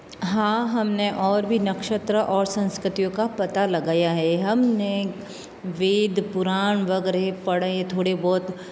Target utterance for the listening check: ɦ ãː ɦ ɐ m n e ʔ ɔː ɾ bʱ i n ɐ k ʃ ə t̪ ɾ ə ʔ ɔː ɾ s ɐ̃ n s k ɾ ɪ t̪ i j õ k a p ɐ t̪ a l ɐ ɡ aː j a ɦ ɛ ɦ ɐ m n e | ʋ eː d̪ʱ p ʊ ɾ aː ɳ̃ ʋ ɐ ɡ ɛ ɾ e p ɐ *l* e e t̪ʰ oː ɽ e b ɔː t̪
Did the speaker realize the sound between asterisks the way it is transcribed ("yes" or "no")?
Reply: no